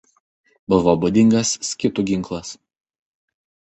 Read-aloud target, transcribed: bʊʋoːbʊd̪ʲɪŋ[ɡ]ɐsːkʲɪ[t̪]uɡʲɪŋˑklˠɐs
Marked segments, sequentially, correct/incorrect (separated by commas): correct, correct